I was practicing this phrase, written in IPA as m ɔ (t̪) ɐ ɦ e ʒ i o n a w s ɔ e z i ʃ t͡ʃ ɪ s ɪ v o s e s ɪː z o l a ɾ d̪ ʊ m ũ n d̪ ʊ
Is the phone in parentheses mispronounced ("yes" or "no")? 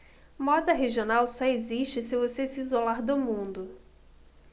yes